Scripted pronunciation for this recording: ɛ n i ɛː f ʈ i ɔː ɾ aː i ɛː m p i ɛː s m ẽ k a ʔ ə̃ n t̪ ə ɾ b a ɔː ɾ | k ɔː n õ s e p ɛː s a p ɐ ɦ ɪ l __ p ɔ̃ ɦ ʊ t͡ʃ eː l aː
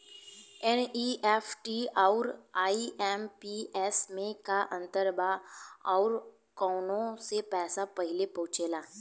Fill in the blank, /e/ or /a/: e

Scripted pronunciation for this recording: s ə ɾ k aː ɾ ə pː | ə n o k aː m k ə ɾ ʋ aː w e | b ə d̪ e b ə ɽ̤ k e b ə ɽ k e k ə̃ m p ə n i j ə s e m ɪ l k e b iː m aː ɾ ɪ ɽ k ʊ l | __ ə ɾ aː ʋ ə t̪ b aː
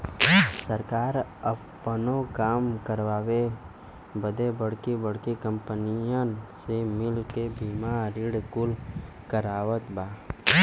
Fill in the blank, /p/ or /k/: k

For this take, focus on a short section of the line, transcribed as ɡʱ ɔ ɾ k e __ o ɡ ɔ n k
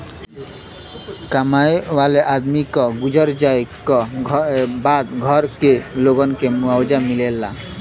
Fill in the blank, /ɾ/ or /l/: l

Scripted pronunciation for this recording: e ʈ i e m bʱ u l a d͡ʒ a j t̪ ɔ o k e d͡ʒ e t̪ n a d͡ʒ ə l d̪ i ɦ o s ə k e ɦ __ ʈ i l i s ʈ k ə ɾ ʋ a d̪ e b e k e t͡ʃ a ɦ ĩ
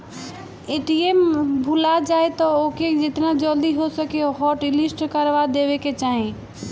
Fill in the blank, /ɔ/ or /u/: ɔ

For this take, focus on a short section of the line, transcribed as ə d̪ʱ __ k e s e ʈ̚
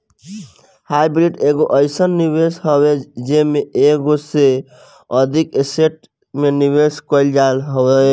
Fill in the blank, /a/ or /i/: i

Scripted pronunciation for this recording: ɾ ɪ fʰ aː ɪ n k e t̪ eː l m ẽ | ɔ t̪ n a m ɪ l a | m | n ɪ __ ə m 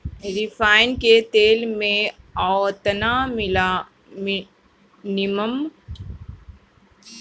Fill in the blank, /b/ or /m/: m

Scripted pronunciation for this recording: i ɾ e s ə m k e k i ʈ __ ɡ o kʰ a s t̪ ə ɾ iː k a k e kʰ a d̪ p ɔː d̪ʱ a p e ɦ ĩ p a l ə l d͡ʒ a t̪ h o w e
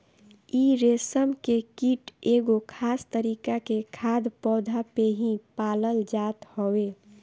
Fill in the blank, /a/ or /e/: e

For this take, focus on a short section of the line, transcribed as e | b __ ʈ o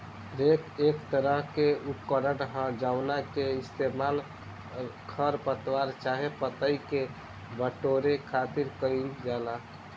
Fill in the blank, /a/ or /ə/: ə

